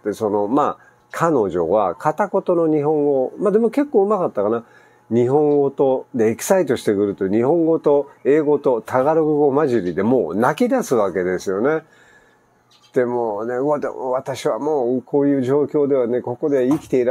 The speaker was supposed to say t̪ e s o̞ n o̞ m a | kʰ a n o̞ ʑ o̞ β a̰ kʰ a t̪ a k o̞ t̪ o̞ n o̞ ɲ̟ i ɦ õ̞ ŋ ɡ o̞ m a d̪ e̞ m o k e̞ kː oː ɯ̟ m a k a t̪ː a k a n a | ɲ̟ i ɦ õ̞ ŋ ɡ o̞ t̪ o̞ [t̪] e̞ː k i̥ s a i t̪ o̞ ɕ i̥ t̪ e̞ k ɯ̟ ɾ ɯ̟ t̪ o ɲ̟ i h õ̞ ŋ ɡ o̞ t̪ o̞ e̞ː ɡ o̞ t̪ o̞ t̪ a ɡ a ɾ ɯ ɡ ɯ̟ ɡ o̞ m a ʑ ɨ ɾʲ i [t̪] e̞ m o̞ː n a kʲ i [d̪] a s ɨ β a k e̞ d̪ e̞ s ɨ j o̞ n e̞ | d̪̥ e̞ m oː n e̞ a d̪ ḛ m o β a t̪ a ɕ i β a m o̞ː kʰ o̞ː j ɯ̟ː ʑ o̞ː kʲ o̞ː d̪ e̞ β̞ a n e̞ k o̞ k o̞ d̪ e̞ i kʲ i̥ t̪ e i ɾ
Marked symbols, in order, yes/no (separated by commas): no, no, yes